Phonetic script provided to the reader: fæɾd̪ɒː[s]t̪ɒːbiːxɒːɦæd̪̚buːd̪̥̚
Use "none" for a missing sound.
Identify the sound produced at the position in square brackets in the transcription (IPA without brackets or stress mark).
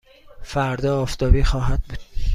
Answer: f